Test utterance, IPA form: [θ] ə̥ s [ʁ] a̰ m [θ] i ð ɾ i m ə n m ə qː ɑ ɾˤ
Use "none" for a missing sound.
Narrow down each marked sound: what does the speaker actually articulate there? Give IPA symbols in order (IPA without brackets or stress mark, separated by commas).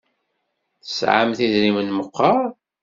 θ, ʕ, θ